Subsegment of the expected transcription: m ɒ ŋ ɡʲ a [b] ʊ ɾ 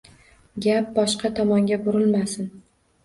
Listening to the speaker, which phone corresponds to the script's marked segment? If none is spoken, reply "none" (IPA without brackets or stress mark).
b